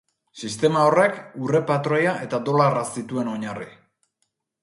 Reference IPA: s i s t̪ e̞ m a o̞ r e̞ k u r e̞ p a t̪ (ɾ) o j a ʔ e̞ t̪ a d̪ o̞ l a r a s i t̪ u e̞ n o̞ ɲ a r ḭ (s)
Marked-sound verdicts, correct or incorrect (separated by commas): correct, incorrect